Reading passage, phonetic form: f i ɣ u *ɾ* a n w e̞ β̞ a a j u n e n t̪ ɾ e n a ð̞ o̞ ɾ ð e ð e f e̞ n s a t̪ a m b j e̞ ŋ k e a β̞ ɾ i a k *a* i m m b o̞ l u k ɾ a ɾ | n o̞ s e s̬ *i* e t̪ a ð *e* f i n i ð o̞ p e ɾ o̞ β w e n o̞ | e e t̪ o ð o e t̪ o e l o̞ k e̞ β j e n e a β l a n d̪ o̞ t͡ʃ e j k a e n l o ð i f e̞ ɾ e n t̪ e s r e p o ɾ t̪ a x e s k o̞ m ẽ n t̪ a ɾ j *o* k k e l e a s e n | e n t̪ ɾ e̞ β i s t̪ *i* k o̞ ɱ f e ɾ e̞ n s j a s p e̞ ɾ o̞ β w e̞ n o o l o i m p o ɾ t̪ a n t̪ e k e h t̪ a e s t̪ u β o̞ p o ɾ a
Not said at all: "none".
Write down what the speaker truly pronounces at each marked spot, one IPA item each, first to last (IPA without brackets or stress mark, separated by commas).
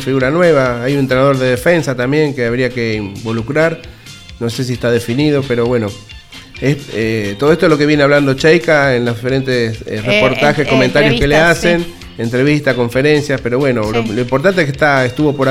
ɾ, e, i, e, o, a